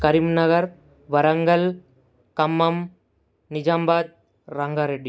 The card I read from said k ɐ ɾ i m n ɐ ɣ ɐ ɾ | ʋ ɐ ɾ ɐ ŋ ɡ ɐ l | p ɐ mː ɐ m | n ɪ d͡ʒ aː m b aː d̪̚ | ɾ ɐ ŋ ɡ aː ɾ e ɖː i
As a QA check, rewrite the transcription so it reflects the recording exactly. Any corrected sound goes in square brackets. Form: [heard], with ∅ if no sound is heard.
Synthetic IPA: k ɐ ɾ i m n ɐ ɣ ɐ ɾ | ʋ ɐ ɾ ɐ ŋ ɡ ɐ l | [k] ɐ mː ɐ m | n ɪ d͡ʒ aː m b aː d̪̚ | ɾ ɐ ŋ ɡ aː ɾ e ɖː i